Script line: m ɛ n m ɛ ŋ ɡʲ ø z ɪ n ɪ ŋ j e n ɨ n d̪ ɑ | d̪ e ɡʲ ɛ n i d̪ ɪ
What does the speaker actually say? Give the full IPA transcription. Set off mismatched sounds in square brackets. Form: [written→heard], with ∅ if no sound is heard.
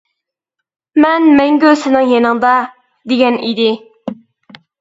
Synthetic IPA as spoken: m ɛ n m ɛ ŋ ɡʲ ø [z→s] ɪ n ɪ ŋ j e n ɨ [n→ŋ] d̪ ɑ | d̪ e ɡʲ ɛ n i d̪ ɪ